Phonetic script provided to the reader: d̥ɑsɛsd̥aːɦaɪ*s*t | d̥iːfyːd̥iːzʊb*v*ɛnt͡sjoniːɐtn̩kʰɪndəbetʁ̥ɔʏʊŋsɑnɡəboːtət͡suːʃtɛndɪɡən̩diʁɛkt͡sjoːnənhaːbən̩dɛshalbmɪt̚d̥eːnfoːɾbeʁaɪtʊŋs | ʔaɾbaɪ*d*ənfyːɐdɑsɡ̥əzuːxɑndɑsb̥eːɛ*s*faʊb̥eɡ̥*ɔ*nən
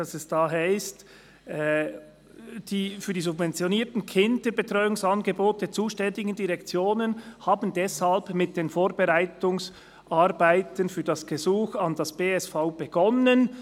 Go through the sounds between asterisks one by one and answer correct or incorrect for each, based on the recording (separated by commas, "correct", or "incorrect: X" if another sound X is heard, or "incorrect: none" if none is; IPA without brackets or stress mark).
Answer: correct, correct, incorrect: t, correct, correct